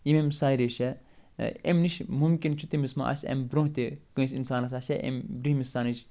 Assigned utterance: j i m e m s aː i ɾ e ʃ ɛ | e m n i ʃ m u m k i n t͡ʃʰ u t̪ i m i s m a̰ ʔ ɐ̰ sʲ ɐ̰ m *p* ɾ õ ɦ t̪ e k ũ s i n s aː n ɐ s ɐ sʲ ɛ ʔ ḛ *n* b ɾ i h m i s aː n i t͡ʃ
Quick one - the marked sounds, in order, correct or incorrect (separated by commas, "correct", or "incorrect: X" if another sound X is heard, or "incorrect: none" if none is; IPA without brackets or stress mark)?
incorrect: b, incorrect: m